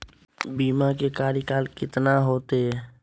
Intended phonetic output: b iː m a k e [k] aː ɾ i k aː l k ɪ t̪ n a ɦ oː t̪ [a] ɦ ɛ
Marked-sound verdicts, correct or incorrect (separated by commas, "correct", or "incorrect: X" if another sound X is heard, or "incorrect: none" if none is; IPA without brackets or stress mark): correct, incorrect: e